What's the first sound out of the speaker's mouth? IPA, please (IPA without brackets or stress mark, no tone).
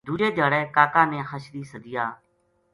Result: d̪